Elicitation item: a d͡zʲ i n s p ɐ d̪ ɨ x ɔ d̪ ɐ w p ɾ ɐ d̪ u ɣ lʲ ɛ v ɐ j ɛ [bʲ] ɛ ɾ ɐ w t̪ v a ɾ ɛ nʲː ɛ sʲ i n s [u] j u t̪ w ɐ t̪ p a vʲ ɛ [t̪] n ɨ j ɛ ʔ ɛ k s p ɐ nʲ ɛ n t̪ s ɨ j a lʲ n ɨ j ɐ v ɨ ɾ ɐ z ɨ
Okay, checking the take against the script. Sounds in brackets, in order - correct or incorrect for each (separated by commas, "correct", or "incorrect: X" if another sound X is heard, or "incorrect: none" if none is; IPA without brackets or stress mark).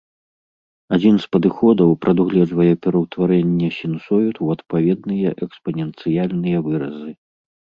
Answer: incorrect: pʲ, incorrect: ɔ, incorrect: d̪